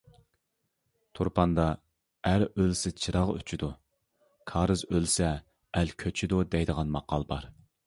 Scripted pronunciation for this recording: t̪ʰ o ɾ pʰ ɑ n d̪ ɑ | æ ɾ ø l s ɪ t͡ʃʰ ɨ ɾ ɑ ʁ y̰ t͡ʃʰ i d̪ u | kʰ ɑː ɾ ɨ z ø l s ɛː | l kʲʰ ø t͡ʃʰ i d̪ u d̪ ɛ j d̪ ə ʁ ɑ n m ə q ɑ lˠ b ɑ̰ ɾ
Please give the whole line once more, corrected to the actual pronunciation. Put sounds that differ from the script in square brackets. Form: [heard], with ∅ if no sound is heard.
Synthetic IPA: t̪ʰ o ɾ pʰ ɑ n d̪ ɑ | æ ɾ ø l s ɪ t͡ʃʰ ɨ ɾ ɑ ʁ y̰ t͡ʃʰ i d̪ u | kʰ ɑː ɾ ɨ z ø l s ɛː | l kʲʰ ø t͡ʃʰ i d̪ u d̪ ɛ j d̪ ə ʁ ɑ n m [ɑ] q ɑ lˠ b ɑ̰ ɾ